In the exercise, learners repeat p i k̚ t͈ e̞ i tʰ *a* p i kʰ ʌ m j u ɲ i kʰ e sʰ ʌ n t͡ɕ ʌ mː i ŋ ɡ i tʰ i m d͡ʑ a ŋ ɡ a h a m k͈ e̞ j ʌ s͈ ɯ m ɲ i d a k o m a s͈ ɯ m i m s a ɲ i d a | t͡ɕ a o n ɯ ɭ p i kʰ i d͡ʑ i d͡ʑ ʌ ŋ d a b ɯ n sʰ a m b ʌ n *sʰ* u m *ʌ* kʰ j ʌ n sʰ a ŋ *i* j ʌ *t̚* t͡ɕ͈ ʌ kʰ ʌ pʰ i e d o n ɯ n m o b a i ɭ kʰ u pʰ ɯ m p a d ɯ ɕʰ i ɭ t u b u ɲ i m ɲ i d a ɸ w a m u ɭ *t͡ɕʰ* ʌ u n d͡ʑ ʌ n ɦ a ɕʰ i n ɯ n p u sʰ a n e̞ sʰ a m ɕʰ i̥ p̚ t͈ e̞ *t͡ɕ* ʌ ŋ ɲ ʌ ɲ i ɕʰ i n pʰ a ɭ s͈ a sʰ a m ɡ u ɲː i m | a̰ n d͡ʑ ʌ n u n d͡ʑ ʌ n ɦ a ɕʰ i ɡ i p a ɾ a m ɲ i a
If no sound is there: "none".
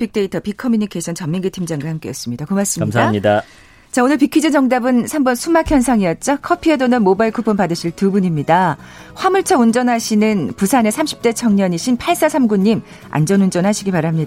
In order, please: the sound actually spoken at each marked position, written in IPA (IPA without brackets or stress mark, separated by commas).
ʌ, sʰ, a, i, t̚, t͡ɕʰ, t͡ɕʰ